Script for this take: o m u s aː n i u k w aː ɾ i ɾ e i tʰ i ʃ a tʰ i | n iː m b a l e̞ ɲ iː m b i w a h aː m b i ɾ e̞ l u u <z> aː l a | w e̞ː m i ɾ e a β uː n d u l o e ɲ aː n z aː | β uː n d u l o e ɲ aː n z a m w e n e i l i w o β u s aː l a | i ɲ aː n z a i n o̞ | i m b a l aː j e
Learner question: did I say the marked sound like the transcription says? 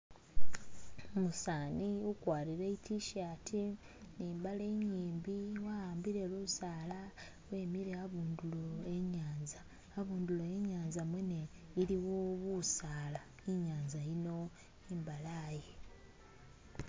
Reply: no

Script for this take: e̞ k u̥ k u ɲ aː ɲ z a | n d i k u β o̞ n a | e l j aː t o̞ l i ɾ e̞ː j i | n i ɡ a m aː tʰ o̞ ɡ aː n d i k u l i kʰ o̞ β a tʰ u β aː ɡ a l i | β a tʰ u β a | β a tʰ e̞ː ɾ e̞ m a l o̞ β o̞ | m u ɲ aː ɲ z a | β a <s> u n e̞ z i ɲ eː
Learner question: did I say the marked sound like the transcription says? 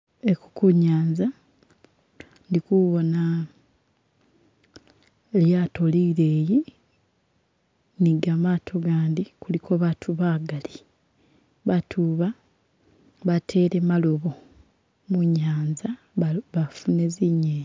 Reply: no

